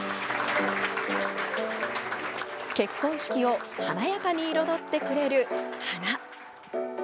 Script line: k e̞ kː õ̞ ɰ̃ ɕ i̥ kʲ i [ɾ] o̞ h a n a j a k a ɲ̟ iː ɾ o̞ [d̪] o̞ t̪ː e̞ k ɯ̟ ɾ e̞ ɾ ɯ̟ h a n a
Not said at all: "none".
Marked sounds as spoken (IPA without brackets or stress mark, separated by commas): none, d̪